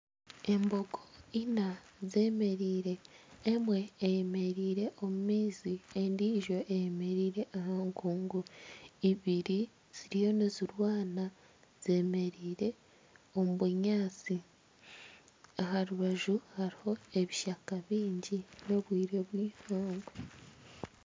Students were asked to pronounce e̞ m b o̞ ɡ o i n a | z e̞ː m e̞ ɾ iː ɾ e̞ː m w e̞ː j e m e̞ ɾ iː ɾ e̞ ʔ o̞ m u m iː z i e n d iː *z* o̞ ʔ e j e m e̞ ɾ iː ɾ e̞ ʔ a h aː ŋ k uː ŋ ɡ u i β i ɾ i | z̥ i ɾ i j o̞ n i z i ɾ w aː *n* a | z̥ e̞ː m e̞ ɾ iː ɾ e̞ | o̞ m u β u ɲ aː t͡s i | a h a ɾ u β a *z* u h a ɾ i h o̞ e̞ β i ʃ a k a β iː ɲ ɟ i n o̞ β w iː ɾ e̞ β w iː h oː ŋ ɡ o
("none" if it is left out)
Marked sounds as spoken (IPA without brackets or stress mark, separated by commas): ʒ, n, ʒ